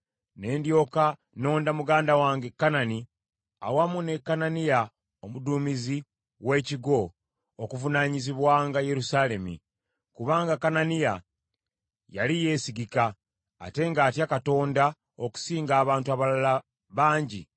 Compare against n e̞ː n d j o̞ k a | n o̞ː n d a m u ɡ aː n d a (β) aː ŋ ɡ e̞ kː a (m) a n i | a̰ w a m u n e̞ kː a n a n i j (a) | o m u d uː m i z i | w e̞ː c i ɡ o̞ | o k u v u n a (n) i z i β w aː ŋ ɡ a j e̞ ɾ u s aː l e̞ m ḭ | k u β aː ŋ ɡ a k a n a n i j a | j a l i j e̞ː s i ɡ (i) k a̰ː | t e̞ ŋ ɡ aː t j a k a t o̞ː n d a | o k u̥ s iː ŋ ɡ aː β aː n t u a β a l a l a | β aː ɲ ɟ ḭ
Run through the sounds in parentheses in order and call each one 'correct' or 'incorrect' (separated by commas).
incorrect, incorrect, correct, incorrect, correct